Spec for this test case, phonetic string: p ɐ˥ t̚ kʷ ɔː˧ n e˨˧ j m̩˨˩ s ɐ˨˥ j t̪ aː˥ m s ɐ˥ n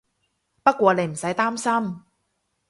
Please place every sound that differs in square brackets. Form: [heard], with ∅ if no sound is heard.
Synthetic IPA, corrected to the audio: p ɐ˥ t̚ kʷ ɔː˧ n e˨˧ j m̩˨˩ s ɐ˨˥ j t̪ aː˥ m s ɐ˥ [m]